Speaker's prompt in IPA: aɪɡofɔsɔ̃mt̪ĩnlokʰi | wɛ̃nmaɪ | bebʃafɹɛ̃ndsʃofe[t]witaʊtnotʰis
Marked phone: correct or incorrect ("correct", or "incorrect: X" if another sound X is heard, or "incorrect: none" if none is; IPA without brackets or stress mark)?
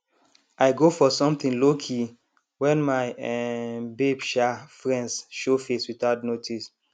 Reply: incorrect: s